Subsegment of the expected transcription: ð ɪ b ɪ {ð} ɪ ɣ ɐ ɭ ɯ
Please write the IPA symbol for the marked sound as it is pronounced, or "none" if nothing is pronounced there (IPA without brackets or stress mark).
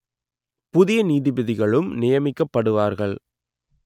ð